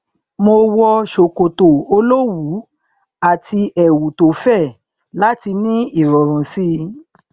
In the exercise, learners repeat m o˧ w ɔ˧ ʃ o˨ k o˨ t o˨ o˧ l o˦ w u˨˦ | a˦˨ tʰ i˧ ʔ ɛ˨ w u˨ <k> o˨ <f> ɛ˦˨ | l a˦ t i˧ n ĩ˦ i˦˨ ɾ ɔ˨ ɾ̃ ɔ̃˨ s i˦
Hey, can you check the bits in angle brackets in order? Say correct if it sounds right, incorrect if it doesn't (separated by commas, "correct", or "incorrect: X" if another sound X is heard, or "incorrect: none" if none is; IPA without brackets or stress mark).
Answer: incorrect: t, correct